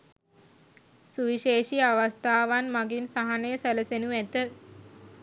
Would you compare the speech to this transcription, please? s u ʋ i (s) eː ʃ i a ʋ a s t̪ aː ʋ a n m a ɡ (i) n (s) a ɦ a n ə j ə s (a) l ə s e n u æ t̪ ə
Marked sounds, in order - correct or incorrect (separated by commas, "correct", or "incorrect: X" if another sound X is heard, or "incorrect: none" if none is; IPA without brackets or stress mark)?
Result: incorrect: ʃ, correct, correct, incorrect: æ